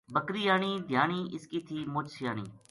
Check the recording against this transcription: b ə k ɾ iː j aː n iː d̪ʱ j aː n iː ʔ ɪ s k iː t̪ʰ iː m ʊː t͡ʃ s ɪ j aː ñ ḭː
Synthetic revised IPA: b ə k ɾ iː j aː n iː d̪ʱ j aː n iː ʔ ɪ s k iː t̪ʰ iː m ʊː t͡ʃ s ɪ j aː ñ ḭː